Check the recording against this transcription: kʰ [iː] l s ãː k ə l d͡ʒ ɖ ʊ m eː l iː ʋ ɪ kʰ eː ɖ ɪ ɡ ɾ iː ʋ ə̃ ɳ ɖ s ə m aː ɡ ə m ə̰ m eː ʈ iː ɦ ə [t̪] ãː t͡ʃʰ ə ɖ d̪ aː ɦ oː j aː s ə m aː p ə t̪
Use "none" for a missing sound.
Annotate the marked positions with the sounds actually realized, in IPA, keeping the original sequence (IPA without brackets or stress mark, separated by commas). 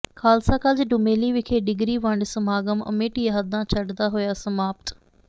aː, d̪